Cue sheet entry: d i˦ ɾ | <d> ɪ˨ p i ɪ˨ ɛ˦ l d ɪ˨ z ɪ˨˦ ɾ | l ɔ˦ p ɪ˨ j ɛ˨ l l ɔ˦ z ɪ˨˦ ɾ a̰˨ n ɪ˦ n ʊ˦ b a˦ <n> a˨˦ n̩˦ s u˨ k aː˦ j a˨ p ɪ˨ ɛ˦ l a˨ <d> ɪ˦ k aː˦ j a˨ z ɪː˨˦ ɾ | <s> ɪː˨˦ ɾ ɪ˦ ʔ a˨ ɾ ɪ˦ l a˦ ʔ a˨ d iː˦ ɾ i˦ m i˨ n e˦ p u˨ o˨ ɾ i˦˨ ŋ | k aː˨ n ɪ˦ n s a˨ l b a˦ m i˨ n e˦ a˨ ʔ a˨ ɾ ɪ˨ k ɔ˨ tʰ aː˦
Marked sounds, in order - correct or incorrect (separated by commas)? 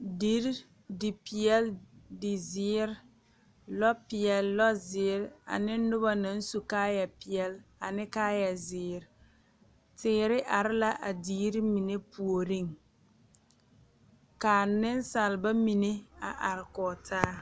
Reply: correct, correct, incorrect, incorrect